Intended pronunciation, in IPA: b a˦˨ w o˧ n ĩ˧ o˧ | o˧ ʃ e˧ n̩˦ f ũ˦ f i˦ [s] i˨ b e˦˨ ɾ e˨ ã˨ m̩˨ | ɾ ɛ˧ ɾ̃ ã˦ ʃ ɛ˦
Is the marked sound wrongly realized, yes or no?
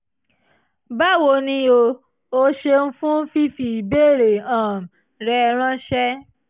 yes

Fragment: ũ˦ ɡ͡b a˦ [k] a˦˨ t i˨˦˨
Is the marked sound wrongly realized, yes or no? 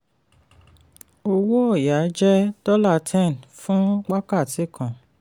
no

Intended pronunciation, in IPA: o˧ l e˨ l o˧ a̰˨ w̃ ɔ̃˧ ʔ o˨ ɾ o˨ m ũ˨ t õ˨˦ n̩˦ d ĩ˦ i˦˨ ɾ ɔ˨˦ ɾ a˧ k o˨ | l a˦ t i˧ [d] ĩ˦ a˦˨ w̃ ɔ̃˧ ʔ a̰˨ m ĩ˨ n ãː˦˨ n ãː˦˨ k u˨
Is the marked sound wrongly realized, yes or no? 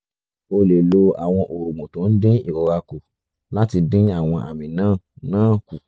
no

